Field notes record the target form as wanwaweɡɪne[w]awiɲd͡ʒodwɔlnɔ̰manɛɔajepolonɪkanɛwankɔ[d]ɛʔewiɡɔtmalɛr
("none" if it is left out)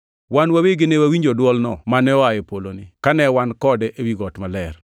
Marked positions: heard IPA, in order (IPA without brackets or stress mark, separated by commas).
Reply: w, d